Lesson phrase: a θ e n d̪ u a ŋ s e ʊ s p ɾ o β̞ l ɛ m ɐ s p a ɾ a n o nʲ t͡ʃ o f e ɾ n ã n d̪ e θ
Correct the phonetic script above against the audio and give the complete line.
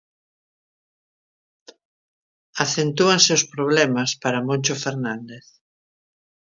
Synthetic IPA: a θ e n t̪ u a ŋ s e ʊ s p ɾ o β̞ l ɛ m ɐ s p a ɾ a m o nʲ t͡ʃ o f e ɾ n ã n d̪ e θ